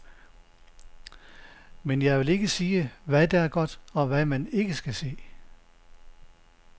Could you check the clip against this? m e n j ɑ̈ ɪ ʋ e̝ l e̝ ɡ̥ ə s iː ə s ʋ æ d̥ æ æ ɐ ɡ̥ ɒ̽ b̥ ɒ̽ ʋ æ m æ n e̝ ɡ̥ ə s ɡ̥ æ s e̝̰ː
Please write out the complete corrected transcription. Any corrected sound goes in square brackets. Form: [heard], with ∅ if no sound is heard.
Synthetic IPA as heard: m e n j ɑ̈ ɪ ʋ e̝ l e̝ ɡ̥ ə s iː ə [∅] ʋ æ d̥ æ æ ɐ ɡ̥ ɒ̽ [d̥] ɒ̽ ʋ æ m æ n e̝ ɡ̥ ə s ɡ̥ æ s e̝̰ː